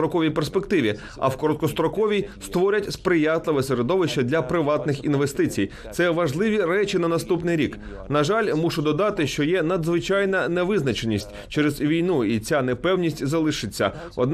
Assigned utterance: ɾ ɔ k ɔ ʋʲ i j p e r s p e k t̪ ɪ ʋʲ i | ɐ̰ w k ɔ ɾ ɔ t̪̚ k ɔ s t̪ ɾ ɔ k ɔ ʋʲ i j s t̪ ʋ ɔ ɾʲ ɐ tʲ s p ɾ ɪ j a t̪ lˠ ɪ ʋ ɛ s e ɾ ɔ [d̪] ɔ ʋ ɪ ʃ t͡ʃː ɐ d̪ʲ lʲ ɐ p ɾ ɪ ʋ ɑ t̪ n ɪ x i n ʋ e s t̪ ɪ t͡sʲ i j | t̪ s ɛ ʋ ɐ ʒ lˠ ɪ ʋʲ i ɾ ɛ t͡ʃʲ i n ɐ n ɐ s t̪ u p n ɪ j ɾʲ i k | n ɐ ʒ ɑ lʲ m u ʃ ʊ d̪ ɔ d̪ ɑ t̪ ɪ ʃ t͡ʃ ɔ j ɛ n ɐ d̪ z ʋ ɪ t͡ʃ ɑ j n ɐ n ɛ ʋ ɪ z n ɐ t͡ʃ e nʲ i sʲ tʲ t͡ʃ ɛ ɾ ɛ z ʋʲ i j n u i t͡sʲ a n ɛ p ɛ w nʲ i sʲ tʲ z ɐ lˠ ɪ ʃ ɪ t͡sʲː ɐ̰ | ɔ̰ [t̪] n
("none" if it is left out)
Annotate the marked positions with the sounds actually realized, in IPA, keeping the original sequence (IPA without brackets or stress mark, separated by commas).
d̪, d̪